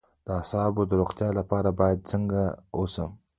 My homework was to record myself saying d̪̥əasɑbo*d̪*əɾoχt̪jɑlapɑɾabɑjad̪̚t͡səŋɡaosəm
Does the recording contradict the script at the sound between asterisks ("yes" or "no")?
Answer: no